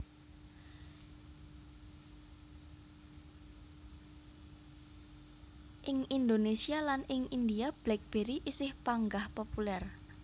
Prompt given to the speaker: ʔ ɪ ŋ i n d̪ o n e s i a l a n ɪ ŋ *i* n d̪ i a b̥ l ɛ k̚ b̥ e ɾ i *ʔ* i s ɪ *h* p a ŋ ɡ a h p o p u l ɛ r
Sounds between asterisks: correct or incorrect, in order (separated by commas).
correct, correct, correct